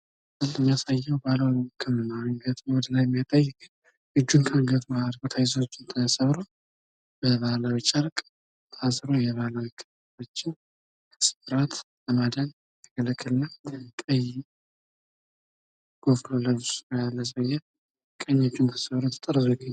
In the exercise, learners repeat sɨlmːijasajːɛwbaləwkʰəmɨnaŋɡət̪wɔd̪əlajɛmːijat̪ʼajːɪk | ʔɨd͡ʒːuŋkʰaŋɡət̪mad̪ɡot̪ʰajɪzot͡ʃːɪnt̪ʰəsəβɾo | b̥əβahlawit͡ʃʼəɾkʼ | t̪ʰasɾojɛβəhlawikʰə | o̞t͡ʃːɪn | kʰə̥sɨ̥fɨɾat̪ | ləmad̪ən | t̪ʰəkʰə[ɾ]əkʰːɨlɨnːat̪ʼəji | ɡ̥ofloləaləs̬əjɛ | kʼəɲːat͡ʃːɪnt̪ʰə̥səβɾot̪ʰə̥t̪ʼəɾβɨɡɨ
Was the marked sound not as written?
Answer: yes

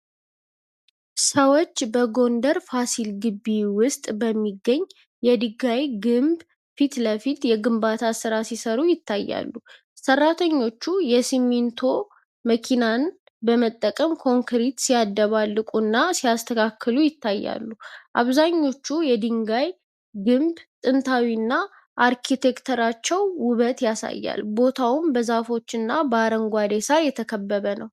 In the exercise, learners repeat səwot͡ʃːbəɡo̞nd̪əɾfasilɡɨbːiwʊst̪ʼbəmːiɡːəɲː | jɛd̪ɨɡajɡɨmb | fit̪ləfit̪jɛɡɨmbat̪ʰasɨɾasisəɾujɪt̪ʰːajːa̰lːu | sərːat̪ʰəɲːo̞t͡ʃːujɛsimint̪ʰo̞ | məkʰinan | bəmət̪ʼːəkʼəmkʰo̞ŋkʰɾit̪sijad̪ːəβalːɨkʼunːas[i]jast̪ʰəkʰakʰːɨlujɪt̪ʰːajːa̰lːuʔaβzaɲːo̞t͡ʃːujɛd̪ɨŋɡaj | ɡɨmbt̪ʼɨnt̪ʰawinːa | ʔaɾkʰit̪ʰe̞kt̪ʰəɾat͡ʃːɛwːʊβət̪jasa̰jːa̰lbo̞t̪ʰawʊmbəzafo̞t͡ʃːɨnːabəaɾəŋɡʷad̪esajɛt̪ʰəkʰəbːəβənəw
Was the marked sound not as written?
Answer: no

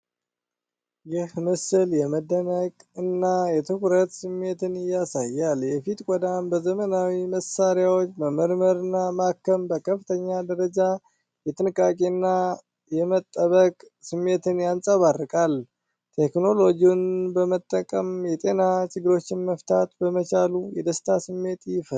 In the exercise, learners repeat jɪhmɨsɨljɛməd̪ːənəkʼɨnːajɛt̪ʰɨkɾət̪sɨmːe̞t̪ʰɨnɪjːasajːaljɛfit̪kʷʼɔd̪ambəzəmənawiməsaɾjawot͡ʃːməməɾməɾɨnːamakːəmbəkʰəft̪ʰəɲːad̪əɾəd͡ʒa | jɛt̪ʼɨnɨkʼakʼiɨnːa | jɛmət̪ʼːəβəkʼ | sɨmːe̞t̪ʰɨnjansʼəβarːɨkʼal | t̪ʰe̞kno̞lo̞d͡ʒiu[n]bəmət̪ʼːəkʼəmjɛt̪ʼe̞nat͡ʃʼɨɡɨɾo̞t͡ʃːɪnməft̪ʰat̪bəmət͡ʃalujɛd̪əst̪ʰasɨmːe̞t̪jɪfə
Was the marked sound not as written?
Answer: no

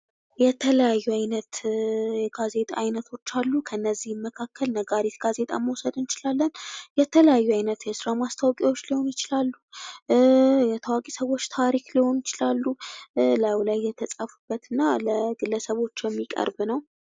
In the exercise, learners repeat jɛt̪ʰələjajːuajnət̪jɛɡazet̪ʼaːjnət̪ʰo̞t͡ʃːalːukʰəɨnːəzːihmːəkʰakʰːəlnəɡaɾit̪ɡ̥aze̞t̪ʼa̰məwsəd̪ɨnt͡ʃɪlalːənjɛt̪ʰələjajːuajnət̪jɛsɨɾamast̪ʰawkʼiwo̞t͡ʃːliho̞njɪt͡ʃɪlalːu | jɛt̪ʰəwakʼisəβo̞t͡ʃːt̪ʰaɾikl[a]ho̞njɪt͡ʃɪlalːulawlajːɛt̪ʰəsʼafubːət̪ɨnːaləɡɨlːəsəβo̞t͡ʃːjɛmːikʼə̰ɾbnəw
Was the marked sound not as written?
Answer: yes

